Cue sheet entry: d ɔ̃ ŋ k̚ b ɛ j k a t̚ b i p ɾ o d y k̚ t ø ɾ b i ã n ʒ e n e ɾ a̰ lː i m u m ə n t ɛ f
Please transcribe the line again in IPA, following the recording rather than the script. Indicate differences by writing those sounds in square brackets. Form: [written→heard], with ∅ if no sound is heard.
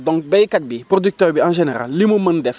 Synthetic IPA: d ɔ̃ ŋ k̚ b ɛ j k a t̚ b i p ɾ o d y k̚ t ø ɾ b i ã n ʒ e n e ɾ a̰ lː i m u m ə n [t→d] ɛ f